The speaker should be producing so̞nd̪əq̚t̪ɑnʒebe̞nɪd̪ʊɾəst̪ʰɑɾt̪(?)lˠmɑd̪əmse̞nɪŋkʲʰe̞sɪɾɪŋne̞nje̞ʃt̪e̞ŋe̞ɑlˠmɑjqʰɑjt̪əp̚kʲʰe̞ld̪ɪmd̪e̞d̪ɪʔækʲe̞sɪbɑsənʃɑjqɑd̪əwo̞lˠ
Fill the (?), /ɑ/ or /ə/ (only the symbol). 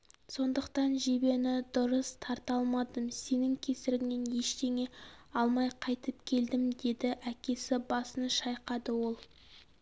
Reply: ɑ